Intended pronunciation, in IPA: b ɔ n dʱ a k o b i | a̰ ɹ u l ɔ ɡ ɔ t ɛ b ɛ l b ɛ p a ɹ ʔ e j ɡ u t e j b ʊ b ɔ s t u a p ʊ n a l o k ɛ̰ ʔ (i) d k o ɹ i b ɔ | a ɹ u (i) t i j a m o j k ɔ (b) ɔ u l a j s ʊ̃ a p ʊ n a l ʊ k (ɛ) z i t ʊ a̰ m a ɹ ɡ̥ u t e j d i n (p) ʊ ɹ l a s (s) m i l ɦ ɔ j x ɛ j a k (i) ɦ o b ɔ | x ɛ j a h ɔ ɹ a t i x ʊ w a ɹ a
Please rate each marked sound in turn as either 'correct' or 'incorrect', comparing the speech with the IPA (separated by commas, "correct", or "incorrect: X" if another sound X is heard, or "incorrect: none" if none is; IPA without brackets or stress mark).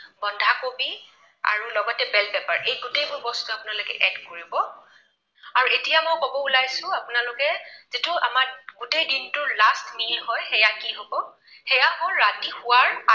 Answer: incorrect: ɛ, incorrect: e, correct, correct, incorrect: t, incorrect: t, correct